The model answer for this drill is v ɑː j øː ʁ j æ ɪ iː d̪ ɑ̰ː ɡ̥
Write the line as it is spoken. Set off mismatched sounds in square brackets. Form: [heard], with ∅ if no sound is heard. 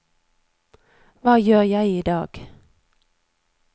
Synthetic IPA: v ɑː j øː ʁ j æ ɪ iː d̪ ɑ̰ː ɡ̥